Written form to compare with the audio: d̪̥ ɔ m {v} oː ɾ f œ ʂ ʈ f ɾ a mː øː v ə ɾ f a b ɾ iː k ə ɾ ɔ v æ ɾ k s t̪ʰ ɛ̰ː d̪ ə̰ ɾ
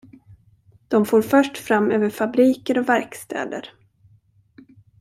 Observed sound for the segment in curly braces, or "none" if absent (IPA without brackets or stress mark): f